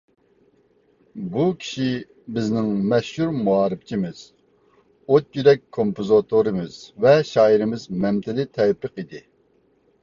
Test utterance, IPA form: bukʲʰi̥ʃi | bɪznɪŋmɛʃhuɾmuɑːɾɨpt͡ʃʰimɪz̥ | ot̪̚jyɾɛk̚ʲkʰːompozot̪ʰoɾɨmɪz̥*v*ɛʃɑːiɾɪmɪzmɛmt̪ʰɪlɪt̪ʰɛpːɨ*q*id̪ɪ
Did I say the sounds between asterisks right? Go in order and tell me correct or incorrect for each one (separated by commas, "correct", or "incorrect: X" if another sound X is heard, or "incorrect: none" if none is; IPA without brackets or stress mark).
correct, correct